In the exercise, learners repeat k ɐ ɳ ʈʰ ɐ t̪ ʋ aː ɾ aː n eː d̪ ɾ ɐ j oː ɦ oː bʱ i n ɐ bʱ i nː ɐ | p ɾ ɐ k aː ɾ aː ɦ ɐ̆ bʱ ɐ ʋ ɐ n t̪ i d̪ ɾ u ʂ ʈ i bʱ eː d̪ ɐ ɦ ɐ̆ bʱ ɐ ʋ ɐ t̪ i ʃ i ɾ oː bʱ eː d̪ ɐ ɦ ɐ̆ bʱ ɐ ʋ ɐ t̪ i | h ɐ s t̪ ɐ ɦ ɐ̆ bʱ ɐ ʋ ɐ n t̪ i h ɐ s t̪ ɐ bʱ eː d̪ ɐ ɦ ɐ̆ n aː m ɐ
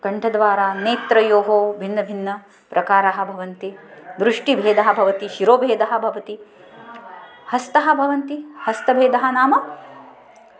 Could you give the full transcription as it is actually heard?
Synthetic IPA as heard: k ɐ ɳ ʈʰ ɐ d̪ ʋ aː ɾ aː n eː t̪ ɾ ɐ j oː ɦ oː bʱ i nː ɐ bʱ i nː ɐ | p ɾ ɐ k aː ɾ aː ɦ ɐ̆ bʱ ɐ ʋ ɐ n t̪ i d̪ ɾ u ʂ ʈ i bʱ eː d̪ ɐ ɦ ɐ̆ bʱ ɐ ʋ ɐ t̪ i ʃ i ɾ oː bʱ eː d̪ ɐ ɦ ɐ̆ bʱ ɐ ʋ ɐ t̪ i | h ɐ s t̪ ɐ ɦ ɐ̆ bʱ ɐ ʋ ɐ n t̪ i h ɐ s t̪ ɐ bʱ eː d̪ ɐ ɦ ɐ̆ n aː m ɐ